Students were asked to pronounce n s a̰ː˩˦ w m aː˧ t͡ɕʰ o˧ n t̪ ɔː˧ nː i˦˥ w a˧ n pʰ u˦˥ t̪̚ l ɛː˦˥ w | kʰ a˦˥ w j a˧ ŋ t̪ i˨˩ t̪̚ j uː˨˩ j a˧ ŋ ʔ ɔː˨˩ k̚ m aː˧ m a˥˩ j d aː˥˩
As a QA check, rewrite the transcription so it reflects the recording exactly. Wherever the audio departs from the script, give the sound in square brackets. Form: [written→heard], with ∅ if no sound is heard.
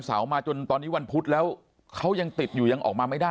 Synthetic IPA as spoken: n s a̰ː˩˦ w m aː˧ [t͡ɕʰ→t͡ɕ] o˧ n t̪ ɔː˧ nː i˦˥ w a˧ n pʰ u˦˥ t̪̚ l ɛː˦˥ w | kʰ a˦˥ w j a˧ ŋ t̪ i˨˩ t̪̚ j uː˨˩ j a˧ ŋ ʔ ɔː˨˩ k̚ m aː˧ m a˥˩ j d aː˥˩